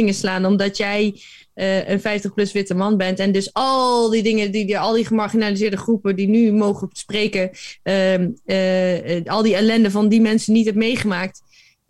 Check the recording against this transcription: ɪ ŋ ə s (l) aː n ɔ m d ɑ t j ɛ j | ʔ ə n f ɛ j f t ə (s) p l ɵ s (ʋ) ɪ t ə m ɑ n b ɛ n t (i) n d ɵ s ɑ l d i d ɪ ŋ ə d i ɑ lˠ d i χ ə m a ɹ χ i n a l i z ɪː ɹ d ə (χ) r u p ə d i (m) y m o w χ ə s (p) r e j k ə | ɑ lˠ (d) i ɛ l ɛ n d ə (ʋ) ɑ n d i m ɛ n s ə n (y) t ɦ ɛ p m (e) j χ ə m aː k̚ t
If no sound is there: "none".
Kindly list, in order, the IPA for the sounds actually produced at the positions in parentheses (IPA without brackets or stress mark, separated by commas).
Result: l, χ, ʋ, ɛ, χ, n, p, d, v, i, e